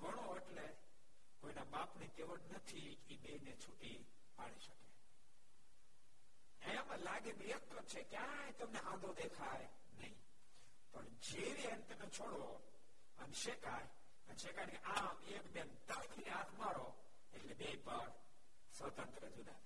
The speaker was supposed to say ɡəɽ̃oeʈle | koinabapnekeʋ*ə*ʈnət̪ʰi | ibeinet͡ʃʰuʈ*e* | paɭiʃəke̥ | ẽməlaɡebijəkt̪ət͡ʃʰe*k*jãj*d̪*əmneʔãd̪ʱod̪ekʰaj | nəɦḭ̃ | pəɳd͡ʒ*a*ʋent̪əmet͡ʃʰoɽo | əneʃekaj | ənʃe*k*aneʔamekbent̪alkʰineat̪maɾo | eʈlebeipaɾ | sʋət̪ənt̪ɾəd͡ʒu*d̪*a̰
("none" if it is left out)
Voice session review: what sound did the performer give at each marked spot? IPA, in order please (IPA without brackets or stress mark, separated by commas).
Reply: ə, i, k, t̪, e, k, d̪